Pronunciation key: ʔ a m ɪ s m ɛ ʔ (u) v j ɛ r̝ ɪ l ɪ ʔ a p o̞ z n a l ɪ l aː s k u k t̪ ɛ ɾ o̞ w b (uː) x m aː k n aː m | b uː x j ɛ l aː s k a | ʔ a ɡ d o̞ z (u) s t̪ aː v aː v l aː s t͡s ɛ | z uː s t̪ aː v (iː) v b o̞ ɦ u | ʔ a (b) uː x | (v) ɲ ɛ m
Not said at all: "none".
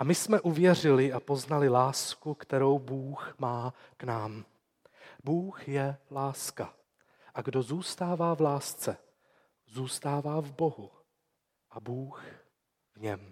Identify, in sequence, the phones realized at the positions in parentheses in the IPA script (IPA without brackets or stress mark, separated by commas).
u, uː, uː, aː, b, v